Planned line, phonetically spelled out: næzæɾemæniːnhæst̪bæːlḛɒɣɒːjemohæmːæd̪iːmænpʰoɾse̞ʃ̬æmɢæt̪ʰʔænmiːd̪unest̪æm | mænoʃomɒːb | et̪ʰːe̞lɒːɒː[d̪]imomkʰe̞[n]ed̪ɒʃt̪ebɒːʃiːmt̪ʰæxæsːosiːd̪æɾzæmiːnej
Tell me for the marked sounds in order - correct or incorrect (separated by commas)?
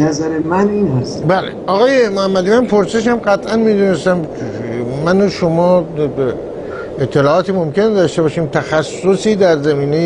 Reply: incorrect, correct